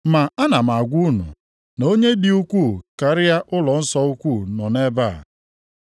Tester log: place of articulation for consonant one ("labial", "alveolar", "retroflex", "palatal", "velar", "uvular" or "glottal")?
labial